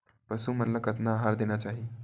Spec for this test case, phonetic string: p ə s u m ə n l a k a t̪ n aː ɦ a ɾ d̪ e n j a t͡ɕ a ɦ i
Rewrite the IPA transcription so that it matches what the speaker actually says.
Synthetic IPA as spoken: p ə s u m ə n l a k ə t̪ n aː ɦ a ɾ d̪ e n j a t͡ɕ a ɦ i